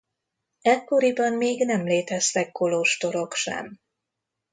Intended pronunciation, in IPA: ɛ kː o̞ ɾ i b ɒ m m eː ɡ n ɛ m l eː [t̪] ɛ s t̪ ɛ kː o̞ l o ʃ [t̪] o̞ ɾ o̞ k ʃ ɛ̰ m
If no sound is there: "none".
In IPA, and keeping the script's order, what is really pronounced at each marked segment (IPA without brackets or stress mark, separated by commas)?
t̪, t̪